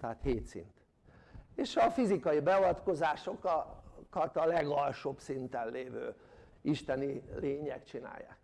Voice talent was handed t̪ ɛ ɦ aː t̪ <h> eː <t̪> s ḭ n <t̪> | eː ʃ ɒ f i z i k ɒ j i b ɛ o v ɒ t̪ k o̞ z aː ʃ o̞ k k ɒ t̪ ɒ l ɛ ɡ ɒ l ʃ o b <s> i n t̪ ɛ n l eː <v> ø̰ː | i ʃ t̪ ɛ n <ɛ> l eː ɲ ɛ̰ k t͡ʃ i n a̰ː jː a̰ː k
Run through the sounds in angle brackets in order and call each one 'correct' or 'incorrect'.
correct, correct, correct, correct, correct, incorrect: i

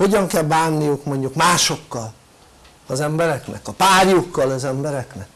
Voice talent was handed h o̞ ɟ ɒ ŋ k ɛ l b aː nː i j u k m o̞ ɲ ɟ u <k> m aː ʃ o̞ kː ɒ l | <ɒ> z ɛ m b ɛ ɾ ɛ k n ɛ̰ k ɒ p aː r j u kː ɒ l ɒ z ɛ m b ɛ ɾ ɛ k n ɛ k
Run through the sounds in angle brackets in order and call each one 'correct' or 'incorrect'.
correct, correct

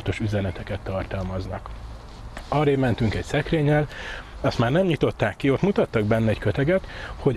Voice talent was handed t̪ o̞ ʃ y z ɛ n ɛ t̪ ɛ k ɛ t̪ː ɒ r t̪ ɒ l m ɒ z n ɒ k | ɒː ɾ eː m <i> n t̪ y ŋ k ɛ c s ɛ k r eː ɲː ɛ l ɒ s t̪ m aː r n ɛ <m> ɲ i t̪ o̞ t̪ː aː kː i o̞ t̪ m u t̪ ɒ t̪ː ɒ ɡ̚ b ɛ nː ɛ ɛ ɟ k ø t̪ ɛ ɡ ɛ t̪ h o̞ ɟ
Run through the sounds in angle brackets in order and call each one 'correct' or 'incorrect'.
incorrect: ɛ, correct

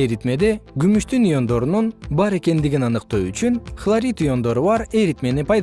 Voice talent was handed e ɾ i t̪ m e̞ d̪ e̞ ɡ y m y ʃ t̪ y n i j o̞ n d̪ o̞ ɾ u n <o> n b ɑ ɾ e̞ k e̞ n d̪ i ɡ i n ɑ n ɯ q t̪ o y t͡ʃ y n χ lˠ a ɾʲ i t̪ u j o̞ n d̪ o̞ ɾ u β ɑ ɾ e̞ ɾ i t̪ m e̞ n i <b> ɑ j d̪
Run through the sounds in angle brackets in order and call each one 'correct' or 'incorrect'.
incorrect: u, incorrect: p

